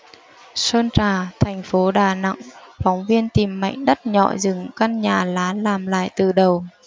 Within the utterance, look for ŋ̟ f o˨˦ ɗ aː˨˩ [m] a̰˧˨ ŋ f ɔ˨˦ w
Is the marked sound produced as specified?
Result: no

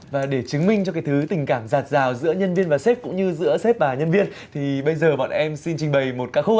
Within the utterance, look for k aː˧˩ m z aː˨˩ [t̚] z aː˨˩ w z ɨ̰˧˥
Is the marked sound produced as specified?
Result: yes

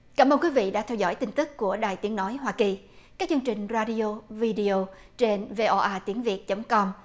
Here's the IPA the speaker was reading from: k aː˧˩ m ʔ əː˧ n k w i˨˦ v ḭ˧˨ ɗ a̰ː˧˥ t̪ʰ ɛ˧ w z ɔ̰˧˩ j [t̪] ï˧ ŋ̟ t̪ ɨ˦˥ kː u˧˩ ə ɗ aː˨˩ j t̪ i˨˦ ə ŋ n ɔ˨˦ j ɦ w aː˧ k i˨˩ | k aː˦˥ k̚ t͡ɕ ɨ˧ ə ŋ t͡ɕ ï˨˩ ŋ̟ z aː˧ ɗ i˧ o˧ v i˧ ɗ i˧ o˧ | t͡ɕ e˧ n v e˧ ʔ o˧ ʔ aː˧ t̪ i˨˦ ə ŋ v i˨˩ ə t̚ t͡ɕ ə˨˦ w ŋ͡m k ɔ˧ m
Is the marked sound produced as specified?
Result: yes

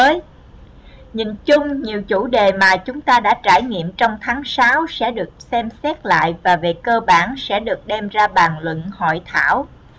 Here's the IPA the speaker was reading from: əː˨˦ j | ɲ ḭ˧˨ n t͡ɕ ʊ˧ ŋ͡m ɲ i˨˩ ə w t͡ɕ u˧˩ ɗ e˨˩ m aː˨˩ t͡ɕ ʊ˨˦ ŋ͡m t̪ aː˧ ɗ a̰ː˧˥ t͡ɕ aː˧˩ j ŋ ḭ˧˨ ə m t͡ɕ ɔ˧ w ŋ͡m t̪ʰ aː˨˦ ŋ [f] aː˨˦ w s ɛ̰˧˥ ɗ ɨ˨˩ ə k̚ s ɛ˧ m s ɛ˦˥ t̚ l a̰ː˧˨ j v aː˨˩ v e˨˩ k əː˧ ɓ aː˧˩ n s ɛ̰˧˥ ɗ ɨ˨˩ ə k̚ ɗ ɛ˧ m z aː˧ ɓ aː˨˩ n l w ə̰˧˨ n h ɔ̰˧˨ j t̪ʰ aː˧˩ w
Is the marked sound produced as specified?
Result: no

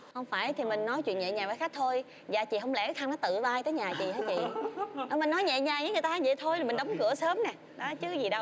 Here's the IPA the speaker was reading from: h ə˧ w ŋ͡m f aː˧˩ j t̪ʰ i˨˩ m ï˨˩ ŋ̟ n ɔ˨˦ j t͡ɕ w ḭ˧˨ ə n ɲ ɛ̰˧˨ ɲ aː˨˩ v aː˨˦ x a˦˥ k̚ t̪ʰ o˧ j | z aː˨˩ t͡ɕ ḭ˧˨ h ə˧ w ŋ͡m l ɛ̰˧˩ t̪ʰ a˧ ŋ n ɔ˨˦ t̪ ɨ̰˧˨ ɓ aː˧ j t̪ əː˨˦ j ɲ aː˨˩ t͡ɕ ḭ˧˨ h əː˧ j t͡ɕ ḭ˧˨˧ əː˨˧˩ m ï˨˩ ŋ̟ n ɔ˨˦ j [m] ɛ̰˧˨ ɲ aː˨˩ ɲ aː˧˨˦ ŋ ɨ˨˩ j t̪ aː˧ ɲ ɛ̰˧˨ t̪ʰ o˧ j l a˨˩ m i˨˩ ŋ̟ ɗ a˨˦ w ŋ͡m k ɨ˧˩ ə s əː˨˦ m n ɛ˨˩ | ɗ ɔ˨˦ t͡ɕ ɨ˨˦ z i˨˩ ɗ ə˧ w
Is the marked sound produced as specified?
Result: no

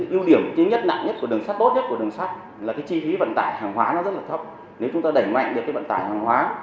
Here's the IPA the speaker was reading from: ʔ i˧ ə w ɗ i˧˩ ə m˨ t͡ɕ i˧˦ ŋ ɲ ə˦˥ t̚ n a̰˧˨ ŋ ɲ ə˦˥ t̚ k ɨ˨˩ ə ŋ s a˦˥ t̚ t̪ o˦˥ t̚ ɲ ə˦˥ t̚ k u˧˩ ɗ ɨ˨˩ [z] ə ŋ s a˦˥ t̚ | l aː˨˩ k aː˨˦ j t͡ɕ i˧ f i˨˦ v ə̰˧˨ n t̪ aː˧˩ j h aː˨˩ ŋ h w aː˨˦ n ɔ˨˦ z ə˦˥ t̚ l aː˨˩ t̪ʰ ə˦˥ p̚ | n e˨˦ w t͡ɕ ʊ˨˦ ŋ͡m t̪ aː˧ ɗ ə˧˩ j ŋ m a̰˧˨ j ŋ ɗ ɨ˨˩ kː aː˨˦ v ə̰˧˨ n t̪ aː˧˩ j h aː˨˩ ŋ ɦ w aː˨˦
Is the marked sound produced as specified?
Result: no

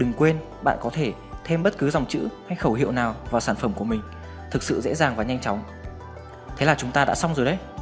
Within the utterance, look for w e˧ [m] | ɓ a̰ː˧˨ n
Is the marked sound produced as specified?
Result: no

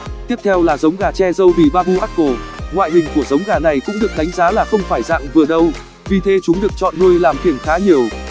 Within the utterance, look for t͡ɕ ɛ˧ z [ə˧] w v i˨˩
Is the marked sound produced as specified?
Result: yes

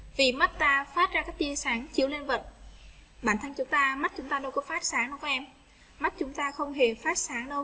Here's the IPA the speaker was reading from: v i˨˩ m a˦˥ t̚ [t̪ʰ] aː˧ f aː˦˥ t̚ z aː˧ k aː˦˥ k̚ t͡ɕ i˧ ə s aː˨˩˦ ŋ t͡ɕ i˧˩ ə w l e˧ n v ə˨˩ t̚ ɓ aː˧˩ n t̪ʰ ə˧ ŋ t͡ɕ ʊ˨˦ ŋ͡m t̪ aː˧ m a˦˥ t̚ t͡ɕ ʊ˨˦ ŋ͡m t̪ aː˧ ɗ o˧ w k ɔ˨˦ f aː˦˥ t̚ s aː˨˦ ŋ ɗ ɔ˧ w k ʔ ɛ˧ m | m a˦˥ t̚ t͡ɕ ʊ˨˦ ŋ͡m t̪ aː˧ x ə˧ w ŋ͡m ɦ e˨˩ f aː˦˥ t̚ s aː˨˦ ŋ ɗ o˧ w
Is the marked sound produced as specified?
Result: no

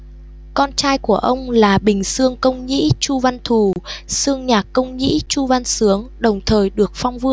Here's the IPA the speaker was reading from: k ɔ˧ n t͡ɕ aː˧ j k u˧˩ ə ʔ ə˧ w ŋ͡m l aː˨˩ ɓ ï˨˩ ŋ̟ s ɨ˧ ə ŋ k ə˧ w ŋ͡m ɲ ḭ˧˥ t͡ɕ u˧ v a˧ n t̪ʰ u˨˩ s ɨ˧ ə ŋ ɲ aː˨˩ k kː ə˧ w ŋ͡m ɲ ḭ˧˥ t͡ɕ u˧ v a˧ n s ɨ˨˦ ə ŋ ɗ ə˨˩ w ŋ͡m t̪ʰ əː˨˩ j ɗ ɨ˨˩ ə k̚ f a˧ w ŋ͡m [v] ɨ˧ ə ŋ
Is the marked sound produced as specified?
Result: yes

